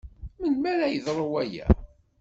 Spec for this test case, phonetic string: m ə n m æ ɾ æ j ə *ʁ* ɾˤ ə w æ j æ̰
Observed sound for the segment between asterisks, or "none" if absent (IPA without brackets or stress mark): ð